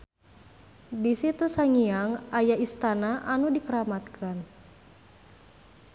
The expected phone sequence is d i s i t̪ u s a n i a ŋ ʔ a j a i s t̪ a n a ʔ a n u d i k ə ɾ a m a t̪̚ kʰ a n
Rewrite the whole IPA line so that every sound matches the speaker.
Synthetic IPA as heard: d i s i t̪ u s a ŋ i a ŋ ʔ a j a i s t̪ a n a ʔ a n u d i k ə ɾ a m a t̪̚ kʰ a n

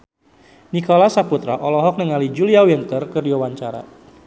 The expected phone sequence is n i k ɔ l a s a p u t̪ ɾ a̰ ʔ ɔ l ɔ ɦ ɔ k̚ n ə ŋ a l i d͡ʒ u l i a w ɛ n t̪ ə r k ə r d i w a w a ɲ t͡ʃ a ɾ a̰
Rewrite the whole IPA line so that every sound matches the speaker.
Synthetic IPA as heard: n i k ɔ l a s a p u t̪ ɾ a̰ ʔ ɔ l ɔ ɦ ɔ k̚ n ə ŋ a l i d͡ʒ u l i a w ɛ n t̪ ə r k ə r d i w a w a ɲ t͡ʃ a ɾ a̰

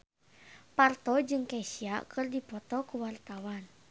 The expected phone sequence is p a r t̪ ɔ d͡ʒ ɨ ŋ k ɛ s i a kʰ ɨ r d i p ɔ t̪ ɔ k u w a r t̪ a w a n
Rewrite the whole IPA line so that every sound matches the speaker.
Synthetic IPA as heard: p a r t̪ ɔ d͡ʒ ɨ ŋ k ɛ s i a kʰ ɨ r d i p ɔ t̪ ɔ k u w a r t̪ a w a n

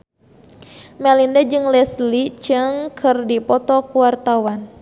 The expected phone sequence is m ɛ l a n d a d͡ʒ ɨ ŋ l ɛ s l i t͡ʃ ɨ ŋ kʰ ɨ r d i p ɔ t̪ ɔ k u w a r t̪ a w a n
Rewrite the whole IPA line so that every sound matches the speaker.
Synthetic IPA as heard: m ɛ l i n d a d͡ʒ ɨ ŋ l ɛ s l i t͡ʃ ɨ ŋ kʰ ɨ r d i p ɔ t̪ ɔ k u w a r t̪ a w a n

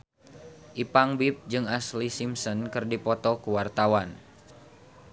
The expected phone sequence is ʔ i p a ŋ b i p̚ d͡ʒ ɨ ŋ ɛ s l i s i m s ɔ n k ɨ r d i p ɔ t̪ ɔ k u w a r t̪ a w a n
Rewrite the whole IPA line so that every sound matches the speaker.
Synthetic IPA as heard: ʔ i p a ŋ b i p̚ d͡ʒ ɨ ŋ a s l i s i m s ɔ n k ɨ r d i p ɔ t̪ ɔ k u w a r t̪ a w a n

